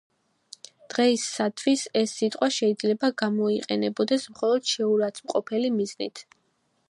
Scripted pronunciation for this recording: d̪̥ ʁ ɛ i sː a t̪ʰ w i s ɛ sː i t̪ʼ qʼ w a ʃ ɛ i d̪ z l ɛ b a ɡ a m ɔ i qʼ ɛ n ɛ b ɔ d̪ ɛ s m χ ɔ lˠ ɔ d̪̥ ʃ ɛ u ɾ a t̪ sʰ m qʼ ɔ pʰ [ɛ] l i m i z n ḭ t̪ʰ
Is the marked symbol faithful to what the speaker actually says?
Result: yes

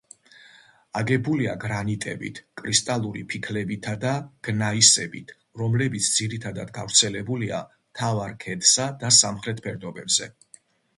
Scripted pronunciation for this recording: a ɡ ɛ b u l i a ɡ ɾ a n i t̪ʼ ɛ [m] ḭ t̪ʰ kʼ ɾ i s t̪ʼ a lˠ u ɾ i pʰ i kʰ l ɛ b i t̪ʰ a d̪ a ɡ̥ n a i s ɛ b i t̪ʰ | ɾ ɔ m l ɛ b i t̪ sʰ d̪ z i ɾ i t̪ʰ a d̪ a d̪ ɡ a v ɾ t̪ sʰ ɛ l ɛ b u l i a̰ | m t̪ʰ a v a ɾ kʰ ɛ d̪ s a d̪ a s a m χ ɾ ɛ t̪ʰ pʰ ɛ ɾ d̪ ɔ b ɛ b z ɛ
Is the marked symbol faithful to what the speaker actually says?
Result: no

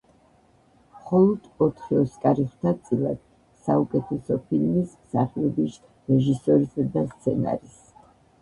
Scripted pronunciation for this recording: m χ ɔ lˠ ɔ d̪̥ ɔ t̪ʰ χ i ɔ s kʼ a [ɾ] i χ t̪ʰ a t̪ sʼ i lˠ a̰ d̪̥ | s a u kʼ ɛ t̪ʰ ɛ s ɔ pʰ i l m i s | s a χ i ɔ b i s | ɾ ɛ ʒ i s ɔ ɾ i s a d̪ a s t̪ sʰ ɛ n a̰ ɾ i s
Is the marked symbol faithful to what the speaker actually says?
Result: yes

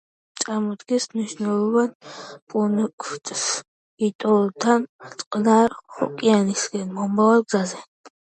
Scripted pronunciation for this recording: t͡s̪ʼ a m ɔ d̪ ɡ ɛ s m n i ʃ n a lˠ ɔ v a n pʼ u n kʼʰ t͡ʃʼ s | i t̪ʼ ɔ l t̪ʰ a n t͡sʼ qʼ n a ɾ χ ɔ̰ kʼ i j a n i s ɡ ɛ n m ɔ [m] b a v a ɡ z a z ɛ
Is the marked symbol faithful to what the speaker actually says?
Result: yes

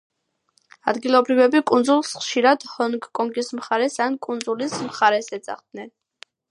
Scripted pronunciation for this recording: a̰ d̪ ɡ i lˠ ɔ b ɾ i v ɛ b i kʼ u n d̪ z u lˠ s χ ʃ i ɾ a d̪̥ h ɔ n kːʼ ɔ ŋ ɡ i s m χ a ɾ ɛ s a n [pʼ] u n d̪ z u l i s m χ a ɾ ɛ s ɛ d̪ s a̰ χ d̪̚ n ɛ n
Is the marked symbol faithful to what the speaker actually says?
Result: no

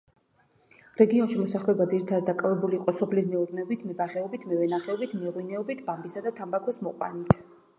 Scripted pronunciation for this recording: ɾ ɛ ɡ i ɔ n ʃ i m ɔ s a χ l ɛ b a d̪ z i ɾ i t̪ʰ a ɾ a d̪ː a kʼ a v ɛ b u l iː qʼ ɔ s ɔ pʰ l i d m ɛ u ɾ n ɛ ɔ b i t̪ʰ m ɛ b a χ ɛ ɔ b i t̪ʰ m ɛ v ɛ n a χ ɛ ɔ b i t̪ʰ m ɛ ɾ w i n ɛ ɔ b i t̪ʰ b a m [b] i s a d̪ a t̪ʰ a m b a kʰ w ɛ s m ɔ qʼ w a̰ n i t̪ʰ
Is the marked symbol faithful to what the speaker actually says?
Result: yes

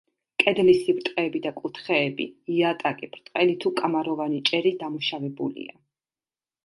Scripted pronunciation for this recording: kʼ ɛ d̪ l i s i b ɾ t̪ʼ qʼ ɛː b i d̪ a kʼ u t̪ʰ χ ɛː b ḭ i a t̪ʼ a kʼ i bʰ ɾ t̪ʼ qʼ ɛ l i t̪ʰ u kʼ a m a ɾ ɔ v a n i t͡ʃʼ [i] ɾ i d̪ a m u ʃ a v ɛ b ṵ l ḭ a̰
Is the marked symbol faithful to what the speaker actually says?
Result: no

